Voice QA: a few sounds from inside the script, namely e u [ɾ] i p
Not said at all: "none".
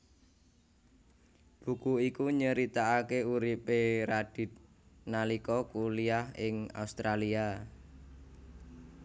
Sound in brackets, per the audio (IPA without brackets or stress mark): ɾ